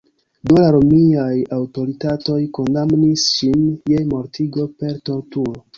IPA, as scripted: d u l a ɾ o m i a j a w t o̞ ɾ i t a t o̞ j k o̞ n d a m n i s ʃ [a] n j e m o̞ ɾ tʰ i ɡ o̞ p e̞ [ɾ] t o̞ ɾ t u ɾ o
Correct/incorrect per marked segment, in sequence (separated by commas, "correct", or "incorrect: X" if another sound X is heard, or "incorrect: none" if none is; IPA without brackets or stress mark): incorrect: i, correct